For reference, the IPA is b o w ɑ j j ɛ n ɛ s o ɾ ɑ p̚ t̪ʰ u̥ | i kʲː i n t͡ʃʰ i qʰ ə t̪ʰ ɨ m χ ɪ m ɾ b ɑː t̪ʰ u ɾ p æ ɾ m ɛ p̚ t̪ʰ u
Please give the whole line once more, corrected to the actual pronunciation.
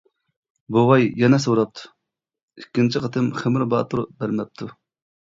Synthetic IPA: b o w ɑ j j ɛ n ɛ s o ɾ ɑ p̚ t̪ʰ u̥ | i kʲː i n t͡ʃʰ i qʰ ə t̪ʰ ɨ m χ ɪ m ɾ b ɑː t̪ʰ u ɾ b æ ɾ m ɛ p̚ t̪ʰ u